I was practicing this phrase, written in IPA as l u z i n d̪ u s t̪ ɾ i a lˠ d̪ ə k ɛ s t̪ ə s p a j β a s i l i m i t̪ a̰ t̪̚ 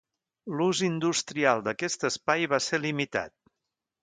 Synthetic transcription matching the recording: l u z i n d̪ u s t̪ ɾ i a lˠ d̪ ə k ɛ s t̪ ə s p a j β a s e l i m i t̪ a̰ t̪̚

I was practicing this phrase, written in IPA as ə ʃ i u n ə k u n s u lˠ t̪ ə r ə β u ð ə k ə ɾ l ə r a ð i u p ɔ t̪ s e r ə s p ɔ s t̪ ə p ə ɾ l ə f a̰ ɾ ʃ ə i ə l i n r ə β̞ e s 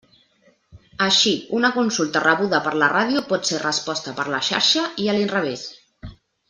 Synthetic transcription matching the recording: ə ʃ i u n ə k u n s u lˠ t̪ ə r ə β u ð ə p ə ɾ l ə r a ð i u p ɔ t̪ s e r ə s p ɔ s t̪ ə p ə ɾ l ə ʃ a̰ ɾ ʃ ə i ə l i n r ə β̞ e s

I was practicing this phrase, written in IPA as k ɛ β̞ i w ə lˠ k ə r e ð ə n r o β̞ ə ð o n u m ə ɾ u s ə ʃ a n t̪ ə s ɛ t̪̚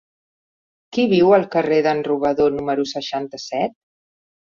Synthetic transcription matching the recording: k i β̞ i w ə lˠ k ə r e ð ə n r u β̞ ə ð o n u m ə ɾ u s ə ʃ a n t̪ ə s ɛ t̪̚

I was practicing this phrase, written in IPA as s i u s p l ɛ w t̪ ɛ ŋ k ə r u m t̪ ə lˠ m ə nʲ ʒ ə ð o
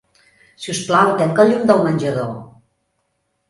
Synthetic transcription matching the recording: s i u s p l a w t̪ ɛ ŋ k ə ʎ u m d̪ ə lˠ m ə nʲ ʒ ə ð o

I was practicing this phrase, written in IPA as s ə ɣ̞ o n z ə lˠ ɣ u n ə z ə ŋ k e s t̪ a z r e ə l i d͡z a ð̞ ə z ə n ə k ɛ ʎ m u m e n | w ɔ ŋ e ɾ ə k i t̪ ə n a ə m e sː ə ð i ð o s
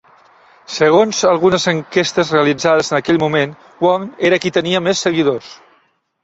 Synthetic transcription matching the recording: s ə ɣ̞ o n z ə lˠ ɣ u n ə z ə ŋ k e s t̪ ə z r e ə l i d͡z a ð̞ ə z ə n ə k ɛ ʎ m u m e n | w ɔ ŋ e ɾ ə k i t̪ ə n i ə m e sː ə ɣ i ð o s

